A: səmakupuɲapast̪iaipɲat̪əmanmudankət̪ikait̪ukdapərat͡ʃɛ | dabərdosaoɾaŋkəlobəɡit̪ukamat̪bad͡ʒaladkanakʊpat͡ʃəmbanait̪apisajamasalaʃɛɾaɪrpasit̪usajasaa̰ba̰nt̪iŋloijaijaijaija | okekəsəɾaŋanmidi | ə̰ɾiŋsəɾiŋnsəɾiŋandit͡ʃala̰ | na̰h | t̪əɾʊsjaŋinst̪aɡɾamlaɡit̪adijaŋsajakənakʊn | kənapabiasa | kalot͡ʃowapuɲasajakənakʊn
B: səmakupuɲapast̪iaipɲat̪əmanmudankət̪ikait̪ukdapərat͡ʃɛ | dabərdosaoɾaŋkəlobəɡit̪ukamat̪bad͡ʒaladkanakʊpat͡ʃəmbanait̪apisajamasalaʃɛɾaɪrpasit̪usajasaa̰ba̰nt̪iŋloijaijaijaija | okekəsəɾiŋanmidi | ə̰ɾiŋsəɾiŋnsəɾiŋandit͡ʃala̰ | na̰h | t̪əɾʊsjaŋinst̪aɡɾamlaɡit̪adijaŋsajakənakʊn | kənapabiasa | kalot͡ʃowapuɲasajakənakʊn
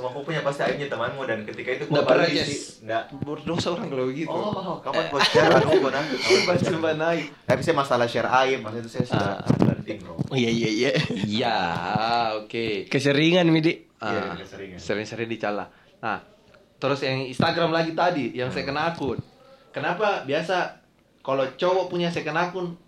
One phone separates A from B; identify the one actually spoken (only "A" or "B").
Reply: B